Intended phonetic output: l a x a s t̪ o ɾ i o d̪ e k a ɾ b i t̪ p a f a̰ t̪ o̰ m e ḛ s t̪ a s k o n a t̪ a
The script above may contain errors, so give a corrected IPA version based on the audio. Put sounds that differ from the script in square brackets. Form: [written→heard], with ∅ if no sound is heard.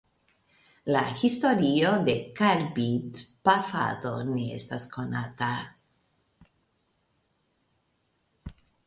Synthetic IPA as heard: l a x [a→i] s t̪ o ɾ i o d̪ e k a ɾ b i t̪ p a f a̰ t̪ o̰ [m→n] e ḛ s t̪ a s k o n a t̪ a